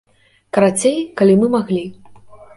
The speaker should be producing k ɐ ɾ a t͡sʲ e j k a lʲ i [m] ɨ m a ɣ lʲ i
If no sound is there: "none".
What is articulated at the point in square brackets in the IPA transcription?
m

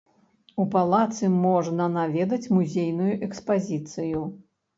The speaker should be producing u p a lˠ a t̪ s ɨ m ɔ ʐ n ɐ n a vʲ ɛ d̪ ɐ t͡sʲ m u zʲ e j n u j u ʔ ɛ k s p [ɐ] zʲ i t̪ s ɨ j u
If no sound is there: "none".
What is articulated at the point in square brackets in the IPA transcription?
a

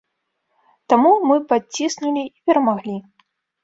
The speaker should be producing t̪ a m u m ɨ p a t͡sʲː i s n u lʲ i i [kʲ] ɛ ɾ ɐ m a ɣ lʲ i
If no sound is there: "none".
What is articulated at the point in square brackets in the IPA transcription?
pʲ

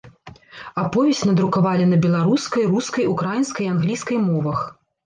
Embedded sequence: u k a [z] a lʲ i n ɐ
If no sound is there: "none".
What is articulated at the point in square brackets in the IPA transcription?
v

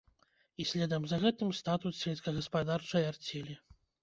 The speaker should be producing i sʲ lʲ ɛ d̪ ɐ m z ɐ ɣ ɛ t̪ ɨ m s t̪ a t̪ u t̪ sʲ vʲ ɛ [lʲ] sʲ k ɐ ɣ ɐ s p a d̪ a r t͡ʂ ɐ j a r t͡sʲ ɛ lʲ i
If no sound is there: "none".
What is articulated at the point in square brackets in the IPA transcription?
lʲ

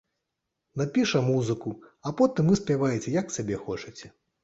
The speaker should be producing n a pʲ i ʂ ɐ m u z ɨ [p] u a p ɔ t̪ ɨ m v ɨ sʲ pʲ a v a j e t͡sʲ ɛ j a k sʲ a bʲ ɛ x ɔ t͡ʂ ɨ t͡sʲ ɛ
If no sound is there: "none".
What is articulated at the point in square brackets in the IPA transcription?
k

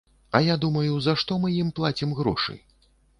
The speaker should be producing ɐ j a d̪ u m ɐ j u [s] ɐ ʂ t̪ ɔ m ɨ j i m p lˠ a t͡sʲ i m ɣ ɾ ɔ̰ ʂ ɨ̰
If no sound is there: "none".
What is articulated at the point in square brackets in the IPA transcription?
z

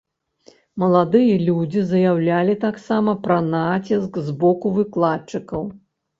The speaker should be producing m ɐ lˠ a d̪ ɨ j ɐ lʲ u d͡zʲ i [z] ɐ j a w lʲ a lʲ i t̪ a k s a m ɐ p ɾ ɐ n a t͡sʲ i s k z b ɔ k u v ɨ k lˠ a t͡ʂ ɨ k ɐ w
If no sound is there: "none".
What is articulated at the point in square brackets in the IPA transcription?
z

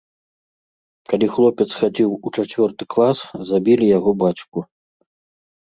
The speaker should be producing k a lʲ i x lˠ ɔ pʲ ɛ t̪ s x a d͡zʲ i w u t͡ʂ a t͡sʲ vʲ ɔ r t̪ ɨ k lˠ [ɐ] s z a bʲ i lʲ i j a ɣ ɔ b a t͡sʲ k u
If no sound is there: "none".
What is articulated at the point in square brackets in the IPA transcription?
a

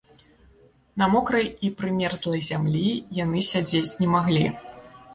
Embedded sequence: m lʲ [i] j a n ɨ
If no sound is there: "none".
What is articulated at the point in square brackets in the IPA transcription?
i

